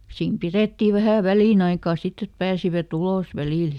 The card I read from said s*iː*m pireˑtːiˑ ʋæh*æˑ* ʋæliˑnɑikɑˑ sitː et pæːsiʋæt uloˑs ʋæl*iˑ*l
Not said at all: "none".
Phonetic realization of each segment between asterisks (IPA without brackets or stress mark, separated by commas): iː, æˑ, iˑ